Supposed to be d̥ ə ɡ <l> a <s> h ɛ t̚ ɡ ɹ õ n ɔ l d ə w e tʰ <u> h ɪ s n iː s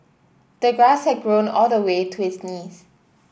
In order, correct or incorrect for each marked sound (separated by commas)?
incorrect, correct, correct